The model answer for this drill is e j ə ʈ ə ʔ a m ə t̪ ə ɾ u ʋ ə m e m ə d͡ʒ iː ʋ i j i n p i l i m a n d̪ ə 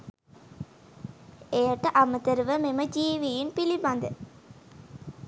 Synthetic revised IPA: e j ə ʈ ə ʔ a m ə t̪ ə ɾ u ʋ ə m e m ə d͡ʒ iː ʋ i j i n p i l i b a n d̪ ə